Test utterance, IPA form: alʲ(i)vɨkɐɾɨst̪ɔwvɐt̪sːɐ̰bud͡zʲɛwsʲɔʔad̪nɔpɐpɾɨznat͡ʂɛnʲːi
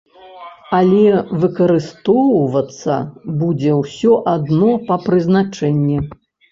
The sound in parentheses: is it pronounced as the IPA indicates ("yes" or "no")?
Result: no